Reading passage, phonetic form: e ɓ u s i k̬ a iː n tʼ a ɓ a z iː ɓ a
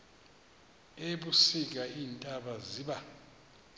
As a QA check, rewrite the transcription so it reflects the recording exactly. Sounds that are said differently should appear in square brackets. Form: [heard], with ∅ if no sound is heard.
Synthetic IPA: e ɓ u s i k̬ a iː n tʼ a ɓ a z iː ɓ a